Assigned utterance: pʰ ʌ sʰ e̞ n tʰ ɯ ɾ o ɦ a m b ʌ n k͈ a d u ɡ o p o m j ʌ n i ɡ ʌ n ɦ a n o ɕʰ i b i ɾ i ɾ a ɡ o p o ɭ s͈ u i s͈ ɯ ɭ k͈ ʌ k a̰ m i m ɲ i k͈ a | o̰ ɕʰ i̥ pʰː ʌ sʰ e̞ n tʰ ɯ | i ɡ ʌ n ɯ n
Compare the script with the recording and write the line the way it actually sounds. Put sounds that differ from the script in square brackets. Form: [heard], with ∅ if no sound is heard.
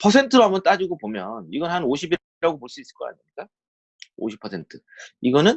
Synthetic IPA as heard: pʰ ʌ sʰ e̞ n tʰ ɯ ɾ o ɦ a m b ʌ n [t͈] a [d͡ʑ] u ɡ o p o m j ʌ n i ɡ ʌ n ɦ a n o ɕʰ i b i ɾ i ɾ a ɡ o p o ɭ s͈ u i s͈ ɯ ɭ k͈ ʌ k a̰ [ɲ] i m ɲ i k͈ a | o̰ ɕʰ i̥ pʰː ʌ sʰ e̞ n tʰ ɯ | i ɡ ʌ n ɯ n